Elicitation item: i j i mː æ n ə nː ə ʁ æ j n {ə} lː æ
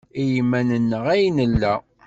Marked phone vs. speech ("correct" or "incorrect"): correct